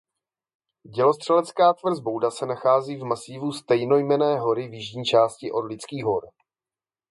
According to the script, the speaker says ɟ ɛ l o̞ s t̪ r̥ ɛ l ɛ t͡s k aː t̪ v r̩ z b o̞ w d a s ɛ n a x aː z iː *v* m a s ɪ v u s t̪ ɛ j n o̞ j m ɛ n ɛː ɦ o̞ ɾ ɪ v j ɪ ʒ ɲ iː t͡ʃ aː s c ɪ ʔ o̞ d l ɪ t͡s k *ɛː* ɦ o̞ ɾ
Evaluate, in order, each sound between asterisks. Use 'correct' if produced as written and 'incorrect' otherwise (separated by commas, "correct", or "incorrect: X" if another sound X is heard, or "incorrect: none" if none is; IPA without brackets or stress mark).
correct, incorrect: iː